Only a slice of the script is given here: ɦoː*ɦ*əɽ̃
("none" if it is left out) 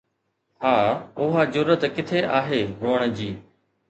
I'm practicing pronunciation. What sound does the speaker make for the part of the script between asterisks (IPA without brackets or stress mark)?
none